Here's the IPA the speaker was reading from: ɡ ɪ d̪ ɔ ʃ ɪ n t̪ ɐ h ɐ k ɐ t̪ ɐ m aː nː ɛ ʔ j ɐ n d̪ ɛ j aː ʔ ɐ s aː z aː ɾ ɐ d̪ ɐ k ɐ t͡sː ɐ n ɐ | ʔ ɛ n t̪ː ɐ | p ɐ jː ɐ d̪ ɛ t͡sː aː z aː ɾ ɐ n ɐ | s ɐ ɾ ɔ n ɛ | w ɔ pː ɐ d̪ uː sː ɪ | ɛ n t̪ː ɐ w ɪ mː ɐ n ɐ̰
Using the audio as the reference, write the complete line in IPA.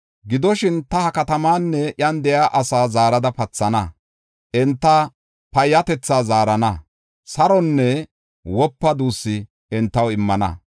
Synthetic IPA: ɡ ɪ d̪ ɔ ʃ ɪ n t̪ ɐ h ɐ k ɐ t̪ ɐ m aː nː ɛ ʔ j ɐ n d̪ ɛ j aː ʔ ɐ s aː z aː ɾ ɐ d̪ ɐ p ɐ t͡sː ɐ n ɐ | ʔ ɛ n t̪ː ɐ | p ɐ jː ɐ t̪ ɛ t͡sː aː z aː ɾ ɐ n ɐ | s ɐ ɾ ɔ nː ɛ | w ɔ pː ɐ d̪ uː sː ɪ | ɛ n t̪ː ɐ w ɪ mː ɐ n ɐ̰